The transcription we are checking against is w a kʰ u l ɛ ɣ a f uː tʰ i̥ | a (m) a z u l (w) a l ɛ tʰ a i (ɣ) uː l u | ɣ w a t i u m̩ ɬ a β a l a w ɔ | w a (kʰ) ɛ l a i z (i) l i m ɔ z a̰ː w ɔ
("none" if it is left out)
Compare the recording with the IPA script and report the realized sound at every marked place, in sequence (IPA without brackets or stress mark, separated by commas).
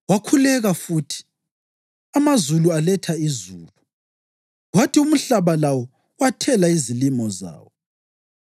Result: m, u, z, tʰ, i